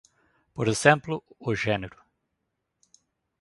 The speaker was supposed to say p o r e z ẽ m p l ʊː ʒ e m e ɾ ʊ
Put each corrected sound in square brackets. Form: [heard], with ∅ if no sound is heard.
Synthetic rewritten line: p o [ɾ] e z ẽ m p l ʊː ʒ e [n] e ɾ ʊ